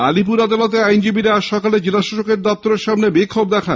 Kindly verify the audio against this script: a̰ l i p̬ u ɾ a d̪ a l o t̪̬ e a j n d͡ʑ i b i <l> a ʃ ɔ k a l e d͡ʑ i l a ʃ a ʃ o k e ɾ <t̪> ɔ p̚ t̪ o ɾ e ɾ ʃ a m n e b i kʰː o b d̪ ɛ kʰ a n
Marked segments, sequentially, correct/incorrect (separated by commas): incorrect, incorrect